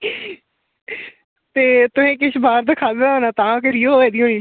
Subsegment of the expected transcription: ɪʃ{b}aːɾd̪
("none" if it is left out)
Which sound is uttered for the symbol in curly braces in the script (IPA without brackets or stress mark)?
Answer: b